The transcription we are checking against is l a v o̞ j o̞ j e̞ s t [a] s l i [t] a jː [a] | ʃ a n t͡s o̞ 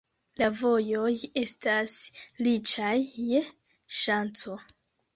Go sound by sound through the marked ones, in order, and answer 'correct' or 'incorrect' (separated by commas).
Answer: correct, incorrect, incorrect